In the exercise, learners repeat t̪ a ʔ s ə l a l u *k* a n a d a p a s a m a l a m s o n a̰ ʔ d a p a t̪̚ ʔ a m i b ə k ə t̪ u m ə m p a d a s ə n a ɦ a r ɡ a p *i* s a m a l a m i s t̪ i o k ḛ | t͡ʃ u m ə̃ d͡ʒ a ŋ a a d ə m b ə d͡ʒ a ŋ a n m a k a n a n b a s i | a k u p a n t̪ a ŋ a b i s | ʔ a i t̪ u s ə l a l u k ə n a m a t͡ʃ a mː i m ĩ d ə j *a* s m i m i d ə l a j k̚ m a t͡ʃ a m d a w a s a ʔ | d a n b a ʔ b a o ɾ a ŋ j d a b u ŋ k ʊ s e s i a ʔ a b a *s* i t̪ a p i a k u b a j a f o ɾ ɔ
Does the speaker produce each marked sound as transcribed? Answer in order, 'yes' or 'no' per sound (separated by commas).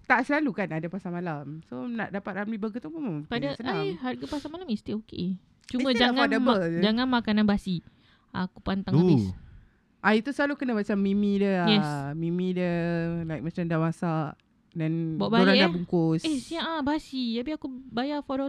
yes, no, no, yes